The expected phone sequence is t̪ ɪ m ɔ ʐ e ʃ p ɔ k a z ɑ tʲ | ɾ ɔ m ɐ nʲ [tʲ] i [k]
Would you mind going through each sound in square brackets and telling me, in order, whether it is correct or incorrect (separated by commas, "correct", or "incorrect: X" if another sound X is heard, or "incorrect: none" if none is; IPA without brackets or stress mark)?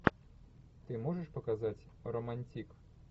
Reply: correct, correct